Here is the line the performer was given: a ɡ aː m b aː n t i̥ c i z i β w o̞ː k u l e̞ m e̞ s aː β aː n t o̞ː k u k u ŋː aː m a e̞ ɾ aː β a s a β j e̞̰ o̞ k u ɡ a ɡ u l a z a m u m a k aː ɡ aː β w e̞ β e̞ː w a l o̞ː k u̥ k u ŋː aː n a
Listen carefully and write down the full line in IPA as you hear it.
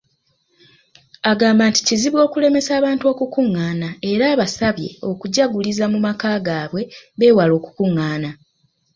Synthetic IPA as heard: a ɡ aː m b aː n t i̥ c i z i β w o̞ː k u l e̞ m e̞ s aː β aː n t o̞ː k u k u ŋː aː n a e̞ ɾ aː β a s a β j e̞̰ o̞ k u ɟ a ɡ u l i z a m u m a k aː ɡ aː β w e̞ β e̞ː w a l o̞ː k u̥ k u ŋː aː n a